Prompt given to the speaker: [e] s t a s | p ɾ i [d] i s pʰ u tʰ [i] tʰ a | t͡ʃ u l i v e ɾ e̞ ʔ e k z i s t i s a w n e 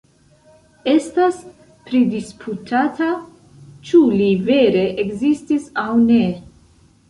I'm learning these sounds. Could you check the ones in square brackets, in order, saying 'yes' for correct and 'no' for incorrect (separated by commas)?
yes, yes, no